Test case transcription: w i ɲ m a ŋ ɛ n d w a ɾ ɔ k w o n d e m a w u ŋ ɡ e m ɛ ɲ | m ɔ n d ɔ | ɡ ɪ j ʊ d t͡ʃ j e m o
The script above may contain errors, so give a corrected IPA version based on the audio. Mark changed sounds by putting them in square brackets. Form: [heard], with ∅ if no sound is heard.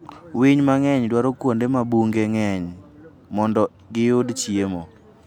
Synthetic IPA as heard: w i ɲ m a ŋ ɛ [ɲ] d w a ɾ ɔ k w o n d e m a [b] u ŋ ɡ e [ŋ] ɛ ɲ | m ɔ n d ɔ | ɡ ɪ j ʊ d t͡ʃ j e m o